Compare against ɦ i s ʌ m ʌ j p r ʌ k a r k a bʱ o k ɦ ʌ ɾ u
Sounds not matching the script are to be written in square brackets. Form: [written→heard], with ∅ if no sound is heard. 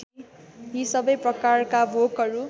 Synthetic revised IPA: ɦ i s ʌ [m→b] ʌ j p r ʌ k a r k a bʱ o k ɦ ʌ ɾ u